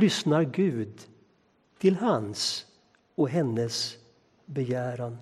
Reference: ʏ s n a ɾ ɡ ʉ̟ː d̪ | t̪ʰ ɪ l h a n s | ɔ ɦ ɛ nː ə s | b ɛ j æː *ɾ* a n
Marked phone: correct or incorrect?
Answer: correct